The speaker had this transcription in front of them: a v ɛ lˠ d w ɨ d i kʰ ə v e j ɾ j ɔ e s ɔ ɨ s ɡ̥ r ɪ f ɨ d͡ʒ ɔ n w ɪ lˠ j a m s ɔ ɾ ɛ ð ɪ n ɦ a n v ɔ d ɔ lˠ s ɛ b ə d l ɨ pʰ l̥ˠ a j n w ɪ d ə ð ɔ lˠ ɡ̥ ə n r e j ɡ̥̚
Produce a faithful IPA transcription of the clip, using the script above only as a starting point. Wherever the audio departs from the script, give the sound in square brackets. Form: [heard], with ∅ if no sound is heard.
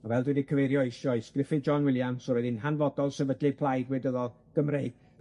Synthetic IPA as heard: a v ɛ lˠ d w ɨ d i kʰ ə v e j ɾ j ɔ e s ɔ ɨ s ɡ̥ r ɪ f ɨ d͡ʒ ɔ n w ɪ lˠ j a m s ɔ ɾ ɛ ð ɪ n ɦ a n v ɔ d ɔ lˠ s ɛ [v] ə d l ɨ pʰ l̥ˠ a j [d] w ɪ d ə ð ɔ lˠ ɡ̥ ə [m] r e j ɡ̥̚